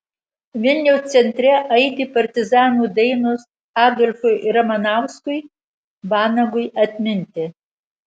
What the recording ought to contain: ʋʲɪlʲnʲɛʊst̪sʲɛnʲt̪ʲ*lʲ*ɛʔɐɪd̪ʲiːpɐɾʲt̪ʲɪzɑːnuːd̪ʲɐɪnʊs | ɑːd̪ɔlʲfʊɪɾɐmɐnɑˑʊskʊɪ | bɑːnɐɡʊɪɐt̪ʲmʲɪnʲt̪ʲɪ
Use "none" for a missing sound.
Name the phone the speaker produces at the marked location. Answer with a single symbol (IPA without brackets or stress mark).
ɾʲ